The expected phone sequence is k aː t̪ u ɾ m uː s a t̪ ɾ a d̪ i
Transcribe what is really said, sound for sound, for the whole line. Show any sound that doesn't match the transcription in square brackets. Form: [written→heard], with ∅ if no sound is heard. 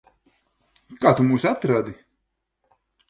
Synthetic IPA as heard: k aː t̪ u [ɾ→∅] m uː s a t̪ ɾ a d̪ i